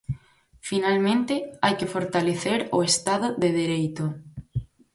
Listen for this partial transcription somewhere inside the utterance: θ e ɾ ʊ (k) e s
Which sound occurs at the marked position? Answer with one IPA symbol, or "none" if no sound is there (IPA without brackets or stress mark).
none